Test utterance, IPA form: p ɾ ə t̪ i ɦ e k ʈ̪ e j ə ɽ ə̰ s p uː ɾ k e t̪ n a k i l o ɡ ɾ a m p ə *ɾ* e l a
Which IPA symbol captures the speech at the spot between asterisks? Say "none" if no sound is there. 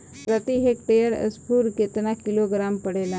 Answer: ɽ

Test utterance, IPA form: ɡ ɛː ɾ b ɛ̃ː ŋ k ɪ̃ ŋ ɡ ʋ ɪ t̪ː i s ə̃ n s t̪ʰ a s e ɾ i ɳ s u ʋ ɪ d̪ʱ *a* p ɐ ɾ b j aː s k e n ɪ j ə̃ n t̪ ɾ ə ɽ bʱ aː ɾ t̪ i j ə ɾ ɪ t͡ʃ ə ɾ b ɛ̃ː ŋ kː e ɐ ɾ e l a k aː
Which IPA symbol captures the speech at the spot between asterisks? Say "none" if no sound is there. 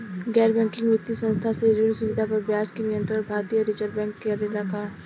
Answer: a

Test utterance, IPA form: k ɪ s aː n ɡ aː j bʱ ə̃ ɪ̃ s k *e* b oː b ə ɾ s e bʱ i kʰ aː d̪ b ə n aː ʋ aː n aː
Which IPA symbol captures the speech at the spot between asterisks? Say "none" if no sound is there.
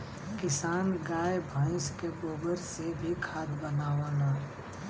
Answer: e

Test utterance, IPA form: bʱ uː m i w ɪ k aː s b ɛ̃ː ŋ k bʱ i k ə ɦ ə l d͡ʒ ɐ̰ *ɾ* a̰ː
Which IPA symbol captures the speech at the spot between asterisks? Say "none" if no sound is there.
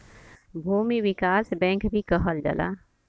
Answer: l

